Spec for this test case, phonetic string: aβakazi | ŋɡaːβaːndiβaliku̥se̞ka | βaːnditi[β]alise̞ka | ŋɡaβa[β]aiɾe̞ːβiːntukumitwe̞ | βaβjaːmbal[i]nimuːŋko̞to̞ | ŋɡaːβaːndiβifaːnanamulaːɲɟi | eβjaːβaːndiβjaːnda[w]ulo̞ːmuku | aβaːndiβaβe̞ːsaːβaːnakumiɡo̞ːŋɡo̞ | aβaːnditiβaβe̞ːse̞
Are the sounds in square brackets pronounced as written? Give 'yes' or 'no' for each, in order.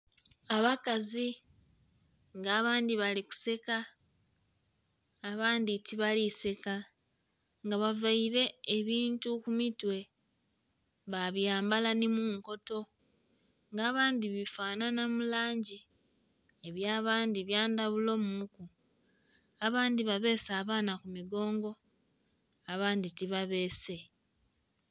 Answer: yes, no, no, no

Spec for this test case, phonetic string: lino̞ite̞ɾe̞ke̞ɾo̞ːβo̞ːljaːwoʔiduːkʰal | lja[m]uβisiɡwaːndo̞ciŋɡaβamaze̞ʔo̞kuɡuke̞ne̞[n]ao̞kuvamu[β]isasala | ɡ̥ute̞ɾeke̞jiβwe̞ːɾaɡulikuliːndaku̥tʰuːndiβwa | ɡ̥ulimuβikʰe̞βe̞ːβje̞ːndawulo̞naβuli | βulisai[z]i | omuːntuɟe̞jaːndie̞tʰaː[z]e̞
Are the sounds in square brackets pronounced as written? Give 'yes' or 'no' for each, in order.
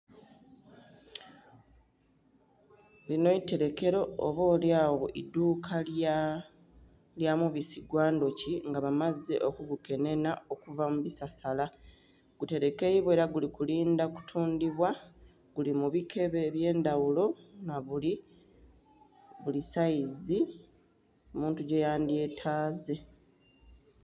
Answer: yes, yes, yes, yes, yes

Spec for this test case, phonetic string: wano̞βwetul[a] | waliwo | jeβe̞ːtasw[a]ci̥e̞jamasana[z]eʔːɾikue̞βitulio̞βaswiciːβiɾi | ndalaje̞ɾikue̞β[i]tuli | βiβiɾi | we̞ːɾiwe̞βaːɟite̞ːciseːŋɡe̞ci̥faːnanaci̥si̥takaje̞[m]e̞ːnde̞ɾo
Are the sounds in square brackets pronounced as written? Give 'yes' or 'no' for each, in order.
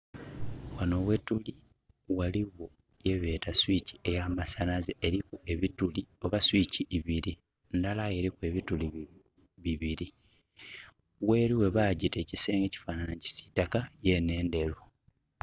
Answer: no, no, yes, yes, no

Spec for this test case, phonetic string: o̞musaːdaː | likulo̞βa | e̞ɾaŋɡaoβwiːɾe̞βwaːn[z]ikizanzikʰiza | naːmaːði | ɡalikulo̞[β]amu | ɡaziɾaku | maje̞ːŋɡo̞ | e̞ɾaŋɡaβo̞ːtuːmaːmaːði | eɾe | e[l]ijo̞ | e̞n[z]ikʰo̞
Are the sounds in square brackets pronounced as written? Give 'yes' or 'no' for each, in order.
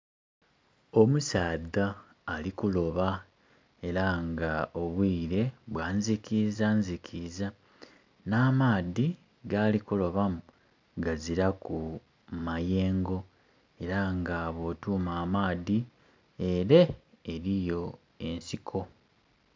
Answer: yes, yes, no, no

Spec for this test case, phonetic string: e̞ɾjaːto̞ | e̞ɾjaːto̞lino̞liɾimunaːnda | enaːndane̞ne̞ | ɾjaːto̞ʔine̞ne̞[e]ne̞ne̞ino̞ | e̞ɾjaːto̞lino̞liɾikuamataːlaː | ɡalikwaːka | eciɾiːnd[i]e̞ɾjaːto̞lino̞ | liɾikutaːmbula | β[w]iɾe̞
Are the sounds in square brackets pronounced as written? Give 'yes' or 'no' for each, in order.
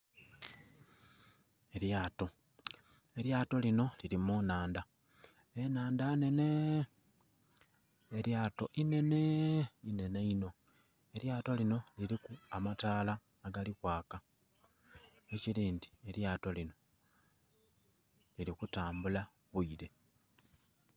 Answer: no, yes, no

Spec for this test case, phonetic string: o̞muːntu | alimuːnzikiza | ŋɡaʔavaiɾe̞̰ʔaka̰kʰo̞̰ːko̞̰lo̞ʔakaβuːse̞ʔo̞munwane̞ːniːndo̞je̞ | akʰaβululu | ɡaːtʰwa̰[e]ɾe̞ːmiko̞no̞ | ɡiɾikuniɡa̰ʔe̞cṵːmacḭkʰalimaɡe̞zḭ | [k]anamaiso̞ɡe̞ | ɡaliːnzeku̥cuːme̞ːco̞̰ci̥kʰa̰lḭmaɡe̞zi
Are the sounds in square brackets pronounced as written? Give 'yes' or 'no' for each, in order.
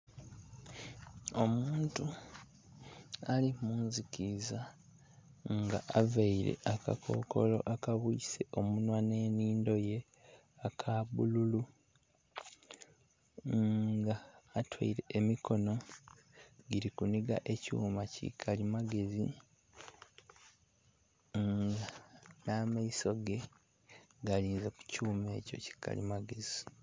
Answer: no, no

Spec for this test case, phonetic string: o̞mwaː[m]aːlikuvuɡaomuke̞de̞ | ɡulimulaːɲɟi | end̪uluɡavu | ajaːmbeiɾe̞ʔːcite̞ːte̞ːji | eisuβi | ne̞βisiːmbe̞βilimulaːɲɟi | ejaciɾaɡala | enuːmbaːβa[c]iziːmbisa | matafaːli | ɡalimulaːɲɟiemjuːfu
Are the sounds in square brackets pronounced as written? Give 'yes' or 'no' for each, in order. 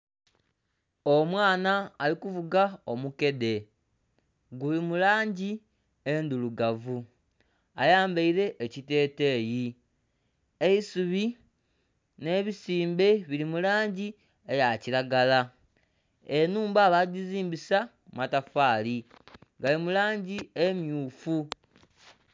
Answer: no, no

